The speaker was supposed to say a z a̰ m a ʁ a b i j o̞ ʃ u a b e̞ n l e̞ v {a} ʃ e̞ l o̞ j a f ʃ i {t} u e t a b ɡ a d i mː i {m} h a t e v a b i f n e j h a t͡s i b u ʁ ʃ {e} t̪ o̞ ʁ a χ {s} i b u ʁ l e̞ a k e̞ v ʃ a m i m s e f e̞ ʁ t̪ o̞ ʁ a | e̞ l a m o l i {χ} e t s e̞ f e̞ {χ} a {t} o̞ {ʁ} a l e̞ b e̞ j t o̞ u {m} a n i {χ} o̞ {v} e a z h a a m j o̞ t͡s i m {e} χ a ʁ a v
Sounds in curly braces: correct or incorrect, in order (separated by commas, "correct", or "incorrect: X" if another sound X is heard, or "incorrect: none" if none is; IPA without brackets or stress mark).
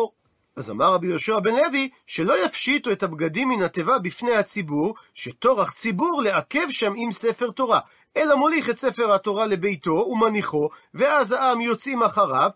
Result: incorrect: i, correct, incorrect: n, correct, incorrect: t͡s, correct, incorrect: ʁ, correct, correct, correct, correct, correct, incorrect: a